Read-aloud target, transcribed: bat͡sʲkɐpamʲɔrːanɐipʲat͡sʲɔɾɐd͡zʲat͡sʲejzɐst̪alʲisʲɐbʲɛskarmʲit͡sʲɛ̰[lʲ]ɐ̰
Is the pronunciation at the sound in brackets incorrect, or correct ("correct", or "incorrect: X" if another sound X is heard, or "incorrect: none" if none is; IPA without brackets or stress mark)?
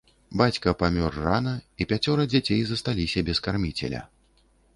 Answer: correct